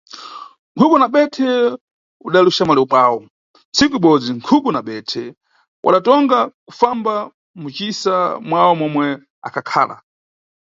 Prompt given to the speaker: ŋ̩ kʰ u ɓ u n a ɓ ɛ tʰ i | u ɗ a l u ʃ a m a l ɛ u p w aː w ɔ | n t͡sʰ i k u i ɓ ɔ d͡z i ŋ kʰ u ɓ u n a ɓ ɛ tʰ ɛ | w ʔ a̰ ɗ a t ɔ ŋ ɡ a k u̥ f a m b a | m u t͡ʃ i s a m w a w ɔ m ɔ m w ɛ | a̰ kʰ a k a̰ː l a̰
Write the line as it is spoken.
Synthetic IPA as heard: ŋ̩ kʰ u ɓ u n a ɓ ɛ tʰ ɛ | u ɗ a l u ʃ a m a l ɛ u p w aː w ɔ | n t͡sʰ i k u i ɓ ɔ d͡z i ŋ kʰ u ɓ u n a ɓ ɛ tʰ ɛ | w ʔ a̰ ɗ a t ɔ ŋ ɡ a k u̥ f a m b a | m u t͡ʃ i s a m w a w ɔ m ɔ m w ɛ | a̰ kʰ a kʰ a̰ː l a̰